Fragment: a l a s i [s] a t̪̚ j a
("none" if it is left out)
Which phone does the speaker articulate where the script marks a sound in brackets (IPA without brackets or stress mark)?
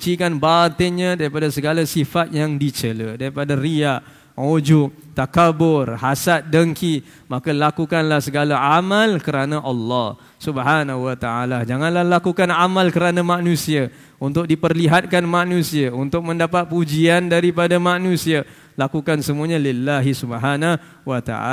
f